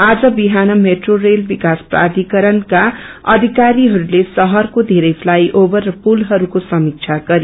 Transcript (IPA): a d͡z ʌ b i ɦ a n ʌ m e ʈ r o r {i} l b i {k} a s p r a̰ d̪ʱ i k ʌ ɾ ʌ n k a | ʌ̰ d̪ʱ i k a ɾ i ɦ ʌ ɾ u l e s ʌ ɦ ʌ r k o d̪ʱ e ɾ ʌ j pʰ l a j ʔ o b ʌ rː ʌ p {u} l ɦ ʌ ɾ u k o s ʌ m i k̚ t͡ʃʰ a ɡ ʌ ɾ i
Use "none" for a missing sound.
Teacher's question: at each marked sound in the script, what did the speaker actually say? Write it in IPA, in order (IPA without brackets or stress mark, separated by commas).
e, k, u